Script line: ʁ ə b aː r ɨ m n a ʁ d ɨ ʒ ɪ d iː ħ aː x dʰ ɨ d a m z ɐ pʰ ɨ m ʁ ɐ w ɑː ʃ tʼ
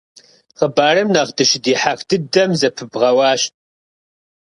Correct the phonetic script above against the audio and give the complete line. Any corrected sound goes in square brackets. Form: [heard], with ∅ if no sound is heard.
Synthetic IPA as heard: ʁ ə b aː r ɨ m n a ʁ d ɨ [ʃ] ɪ d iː ħ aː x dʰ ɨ d [ɐ] m z ɐ pʰ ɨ [b] ʁ ɐ w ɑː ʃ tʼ